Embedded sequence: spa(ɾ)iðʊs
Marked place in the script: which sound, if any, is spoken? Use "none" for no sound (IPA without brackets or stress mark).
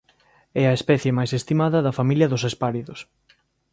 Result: ɾ